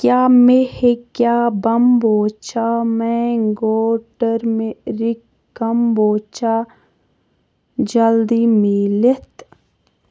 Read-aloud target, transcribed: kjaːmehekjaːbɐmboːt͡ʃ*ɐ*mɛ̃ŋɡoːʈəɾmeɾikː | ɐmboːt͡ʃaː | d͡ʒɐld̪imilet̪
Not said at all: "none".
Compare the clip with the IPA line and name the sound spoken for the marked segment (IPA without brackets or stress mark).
a